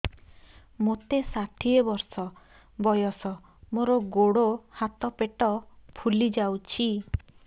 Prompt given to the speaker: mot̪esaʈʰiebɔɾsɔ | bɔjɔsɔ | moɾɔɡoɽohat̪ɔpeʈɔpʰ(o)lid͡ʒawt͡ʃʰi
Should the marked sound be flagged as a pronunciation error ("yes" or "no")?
yes